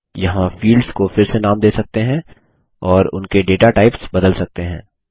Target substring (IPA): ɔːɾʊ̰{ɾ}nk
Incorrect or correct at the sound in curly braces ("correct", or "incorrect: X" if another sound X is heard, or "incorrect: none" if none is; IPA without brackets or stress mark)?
incorrect: none